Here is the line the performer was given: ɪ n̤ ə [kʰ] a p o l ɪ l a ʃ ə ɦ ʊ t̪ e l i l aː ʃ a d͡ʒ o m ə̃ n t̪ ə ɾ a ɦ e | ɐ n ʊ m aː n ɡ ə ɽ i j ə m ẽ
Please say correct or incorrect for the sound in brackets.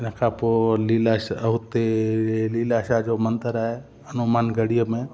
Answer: correct